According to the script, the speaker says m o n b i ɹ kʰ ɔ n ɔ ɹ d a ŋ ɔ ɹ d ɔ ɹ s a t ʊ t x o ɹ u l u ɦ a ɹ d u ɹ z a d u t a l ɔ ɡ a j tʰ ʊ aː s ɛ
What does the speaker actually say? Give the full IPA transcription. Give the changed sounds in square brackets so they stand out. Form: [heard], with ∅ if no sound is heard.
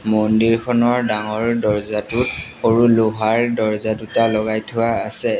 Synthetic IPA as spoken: m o n [d] i ɹ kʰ ɔ n ɔ ɹ d a ŋ ɔ ɹ d ɔ ɹ [z] a t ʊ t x o ɹ u l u ɦ a ɹ d [ɔ] ɹ z a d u t a l ɔ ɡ a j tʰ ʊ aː s ɛ